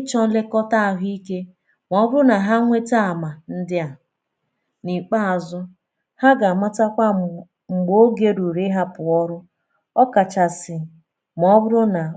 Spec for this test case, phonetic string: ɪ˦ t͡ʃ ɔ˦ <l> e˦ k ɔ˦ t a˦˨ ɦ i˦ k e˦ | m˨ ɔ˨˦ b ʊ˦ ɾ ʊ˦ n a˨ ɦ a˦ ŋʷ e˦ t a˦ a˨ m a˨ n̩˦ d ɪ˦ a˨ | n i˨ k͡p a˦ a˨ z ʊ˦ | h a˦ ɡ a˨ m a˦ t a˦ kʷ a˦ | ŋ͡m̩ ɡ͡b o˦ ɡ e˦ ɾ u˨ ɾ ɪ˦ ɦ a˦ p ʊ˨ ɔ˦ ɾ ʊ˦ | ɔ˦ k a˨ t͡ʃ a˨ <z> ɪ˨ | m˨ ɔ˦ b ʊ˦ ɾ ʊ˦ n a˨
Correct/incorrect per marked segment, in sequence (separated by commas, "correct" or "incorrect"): correct, incorrect